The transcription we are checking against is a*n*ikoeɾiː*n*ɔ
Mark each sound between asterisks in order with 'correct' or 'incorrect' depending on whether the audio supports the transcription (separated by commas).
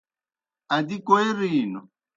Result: incorrect, correct